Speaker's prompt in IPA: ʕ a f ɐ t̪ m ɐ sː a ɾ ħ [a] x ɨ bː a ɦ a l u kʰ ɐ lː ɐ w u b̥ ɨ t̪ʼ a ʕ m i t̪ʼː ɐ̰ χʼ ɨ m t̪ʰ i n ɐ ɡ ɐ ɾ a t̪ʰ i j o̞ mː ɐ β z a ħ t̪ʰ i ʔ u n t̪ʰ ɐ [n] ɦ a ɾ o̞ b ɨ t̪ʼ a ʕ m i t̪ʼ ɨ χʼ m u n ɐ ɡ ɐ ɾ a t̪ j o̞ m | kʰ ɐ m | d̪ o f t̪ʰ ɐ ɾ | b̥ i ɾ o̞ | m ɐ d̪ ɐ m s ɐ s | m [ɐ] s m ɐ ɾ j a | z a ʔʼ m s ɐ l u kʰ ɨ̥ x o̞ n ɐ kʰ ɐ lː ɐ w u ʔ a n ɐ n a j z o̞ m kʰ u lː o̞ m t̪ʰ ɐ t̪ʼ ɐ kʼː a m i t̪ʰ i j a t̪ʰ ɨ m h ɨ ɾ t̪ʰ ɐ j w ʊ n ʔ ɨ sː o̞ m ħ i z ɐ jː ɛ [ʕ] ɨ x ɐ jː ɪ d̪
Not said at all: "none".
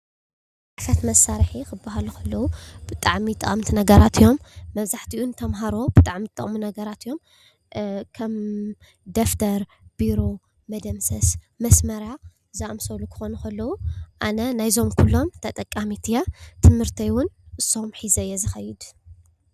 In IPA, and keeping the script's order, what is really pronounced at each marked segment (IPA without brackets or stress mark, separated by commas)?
i, m, ɐ, z